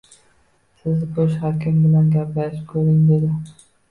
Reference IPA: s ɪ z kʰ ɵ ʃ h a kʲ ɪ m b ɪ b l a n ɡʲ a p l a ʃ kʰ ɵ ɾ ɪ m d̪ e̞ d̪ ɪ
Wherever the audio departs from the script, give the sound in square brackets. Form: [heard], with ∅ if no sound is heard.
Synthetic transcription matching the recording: s ɪ z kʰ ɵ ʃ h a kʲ ɪ m b ɪ [∅] l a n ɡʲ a p l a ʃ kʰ ɵ ɾ ɪ [ŋ] d̪ e̞ d̪ ɪ